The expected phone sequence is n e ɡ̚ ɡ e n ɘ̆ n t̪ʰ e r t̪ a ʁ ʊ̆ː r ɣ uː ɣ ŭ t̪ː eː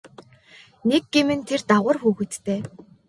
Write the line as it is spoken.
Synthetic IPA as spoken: n e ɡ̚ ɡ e m ɘ̆ n t̪ʰ e r t̪ a ʁ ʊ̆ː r x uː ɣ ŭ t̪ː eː